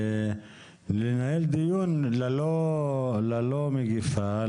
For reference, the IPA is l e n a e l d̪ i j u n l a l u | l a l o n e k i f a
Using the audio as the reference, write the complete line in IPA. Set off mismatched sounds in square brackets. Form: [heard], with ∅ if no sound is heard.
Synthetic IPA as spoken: l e n a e l d̪ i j u n l a l [o] | l a l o [m] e [ɡ] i f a